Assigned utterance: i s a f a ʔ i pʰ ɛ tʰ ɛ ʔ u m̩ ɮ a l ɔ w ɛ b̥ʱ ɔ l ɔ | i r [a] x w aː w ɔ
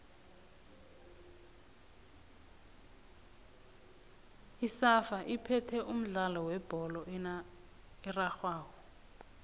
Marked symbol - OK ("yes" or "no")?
yes